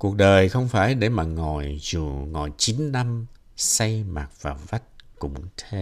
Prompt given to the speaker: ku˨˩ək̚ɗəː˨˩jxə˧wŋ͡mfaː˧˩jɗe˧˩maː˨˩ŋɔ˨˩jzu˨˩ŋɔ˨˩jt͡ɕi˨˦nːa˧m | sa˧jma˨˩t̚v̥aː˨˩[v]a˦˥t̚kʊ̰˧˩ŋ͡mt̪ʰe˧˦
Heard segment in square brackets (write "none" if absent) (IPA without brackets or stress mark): v